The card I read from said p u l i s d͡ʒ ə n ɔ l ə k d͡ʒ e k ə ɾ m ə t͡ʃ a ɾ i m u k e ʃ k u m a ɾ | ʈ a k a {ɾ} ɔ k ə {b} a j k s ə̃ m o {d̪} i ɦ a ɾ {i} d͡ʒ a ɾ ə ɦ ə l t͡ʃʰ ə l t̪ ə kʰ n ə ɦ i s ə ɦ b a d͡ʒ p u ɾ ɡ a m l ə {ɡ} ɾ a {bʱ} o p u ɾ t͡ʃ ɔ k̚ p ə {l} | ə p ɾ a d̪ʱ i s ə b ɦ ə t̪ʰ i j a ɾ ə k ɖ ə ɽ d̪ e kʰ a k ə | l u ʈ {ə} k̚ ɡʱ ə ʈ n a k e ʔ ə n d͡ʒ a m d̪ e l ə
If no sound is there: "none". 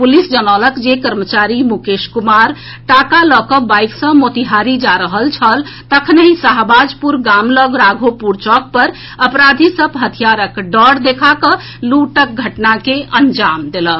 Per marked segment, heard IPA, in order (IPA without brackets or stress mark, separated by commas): l, b, t̪, i, ɡ, ɡʱ, ɾ, ə